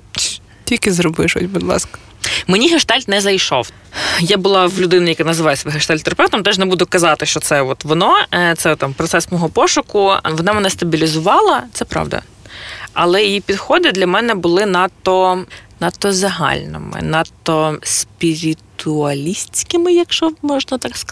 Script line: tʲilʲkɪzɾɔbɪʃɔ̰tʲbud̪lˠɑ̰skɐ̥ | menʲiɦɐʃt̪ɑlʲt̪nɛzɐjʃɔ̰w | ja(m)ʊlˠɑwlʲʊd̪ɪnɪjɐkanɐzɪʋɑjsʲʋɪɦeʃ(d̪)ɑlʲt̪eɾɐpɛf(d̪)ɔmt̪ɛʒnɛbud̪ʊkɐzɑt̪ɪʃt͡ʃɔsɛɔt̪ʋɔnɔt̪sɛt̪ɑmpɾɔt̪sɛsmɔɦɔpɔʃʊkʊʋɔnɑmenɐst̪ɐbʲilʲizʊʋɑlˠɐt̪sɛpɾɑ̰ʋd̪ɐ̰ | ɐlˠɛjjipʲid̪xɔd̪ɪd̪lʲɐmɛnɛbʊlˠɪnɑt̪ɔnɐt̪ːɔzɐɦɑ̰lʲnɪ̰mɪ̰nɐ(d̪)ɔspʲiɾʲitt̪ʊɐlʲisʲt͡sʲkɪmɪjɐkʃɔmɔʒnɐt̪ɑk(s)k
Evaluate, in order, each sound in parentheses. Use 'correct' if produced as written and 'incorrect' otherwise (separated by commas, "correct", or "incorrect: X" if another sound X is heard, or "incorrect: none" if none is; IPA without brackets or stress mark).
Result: incorrect: b, incorrect: t̪, incorrect: t̪, incorrect: t̪, correct